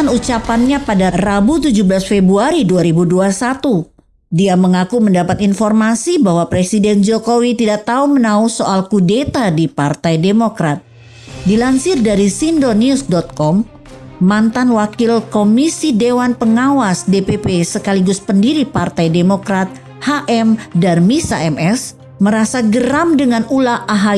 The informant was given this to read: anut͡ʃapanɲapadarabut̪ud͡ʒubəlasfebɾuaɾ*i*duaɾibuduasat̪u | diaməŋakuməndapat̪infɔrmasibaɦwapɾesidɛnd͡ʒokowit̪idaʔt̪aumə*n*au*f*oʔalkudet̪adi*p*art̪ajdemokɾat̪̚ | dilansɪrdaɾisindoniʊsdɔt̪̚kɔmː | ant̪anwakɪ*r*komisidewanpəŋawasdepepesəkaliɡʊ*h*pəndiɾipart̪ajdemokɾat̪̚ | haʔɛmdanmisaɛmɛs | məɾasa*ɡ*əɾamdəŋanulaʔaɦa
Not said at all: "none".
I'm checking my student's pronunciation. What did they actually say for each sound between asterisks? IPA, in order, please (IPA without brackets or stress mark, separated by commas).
i, n, s, p, l, s, ɡ